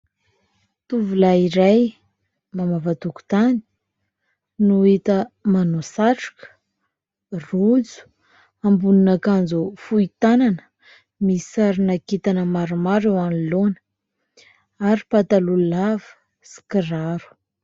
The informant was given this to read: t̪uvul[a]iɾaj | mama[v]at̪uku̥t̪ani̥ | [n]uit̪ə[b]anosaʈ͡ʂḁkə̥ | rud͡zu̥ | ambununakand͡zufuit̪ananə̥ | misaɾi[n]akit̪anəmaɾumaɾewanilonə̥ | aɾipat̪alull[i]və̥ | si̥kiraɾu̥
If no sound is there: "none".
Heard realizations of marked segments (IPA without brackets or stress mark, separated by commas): a, v, n, m, n, a